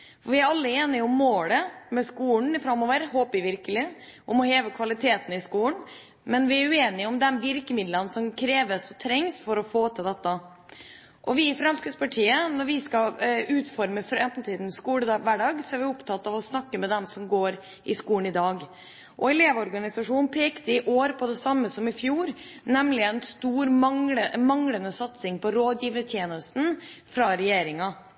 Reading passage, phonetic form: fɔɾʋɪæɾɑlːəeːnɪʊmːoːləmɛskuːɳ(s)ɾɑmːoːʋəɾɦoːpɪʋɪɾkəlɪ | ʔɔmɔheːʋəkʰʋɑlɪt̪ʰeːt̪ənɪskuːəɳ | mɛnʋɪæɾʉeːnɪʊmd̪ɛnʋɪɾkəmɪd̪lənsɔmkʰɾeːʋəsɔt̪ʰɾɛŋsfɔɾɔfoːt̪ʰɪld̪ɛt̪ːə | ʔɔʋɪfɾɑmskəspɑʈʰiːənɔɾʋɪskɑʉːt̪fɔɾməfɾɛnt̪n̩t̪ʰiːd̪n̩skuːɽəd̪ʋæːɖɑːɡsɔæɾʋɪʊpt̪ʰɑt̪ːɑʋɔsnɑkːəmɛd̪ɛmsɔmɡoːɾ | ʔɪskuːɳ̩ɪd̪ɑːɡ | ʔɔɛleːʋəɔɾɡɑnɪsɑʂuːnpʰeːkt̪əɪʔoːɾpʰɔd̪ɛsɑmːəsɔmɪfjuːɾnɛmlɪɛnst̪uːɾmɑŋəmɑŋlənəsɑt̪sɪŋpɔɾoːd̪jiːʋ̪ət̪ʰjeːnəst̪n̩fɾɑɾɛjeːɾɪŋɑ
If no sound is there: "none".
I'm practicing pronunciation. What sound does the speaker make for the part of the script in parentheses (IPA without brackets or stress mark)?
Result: f